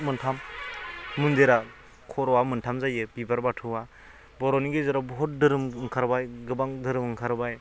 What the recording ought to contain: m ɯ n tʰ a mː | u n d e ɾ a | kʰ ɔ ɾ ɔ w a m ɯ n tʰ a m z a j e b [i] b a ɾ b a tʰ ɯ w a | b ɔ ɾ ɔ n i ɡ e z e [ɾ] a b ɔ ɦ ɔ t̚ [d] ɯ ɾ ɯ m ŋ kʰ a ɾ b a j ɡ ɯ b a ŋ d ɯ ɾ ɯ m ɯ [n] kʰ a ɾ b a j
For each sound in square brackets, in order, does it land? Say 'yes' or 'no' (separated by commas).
yes, yes, yes, no